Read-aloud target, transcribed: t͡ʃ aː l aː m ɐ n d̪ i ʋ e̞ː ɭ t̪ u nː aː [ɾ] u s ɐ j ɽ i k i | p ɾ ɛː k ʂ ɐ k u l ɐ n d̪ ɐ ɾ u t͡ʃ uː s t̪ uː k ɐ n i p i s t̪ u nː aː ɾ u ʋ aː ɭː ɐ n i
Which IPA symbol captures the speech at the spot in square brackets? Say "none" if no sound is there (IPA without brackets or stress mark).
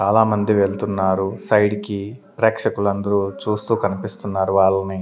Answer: ɾ